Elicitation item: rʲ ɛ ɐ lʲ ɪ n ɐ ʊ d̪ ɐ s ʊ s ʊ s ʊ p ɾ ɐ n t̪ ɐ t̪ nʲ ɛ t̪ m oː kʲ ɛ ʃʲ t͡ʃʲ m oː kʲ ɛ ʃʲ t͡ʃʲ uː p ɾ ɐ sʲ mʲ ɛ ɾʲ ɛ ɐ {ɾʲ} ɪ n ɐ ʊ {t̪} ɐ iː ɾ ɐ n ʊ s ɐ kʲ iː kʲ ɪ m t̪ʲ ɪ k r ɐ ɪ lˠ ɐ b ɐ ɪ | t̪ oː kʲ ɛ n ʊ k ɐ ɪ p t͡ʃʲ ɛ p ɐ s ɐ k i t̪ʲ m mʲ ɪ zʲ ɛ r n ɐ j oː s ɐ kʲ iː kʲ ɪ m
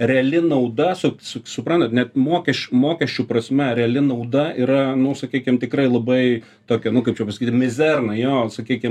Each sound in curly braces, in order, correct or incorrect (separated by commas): incorrect, incorrect